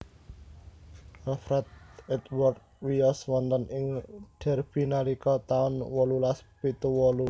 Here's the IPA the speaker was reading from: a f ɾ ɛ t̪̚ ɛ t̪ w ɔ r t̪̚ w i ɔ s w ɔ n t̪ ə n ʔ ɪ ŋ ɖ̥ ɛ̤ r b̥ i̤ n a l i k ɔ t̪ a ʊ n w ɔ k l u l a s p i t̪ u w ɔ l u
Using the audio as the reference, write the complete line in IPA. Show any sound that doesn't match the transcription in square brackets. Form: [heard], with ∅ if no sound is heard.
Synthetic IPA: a f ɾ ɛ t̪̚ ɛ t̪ w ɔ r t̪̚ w i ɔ s w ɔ n t̪ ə n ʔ ɪ ŋ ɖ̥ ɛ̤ r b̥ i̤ n a l i k ɔ t̪ a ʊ n w ɔ [∅] l u l a s p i t̪ u w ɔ l u